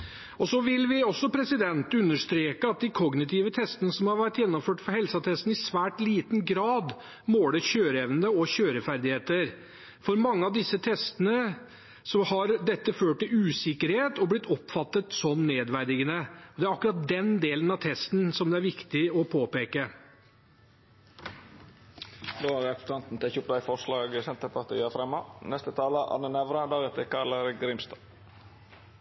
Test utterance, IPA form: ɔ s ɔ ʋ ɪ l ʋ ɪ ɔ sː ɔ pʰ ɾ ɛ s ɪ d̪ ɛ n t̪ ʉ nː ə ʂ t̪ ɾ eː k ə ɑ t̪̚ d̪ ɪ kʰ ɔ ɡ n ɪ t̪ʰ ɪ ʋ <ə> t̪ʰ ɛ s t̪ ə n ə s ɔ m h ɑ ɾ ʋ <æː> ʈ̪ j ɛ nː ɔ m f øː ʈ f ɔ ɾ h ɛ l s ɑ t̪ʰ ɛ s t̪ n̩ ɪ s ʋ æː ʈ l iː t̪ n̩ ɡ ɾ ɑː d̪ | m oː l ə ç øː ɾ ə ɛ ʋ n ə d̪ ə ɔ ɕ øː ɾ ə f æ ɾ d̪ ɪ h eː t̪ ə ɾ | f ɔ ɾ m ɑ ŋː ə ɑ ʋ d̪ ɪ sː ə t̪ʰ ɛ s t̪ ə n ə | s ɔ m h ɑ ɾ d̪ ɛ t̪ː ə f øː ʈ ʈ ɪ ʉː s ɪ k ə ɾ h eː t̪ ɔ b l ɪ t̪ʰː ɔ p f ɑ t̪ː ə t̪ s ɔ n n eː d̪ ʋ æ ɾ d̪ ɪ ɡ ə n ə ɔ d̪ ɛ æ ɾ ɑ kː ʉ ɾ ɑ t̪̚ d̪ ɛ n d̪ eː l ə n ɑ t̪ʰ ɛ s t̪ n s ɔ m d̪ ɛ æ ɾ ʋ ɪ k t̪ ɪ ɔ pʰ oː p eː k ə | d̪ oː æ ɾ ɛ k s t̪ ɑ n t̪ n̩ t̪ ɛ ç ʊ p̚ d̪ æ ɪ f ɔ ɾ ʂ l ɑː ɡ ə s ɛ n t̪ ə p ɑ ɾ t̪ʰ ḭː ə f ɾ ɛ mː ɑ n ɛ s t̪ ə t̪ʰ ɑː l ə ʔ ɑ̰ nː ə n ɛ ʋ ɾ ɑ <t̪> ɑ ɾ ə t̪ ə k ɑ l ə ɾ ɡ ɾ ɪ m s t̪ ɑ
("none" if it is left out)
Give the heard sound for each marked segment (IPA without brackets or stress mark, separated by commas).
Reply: ə, æ, d̪